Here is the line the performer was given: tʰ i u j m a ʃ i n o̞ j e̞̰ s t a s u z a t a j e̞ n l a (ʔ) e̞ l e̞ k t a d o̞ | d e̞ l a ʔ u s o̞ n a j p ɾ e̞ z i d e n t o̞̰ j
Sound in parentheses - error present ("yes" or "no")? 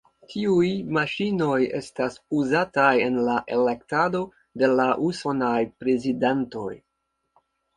no